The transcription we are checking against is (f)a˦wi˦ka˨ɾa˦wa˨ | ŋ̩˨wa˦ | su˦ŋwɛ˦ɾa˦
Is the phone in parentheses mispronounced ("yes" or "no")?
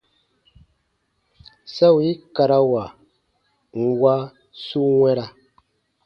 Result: yes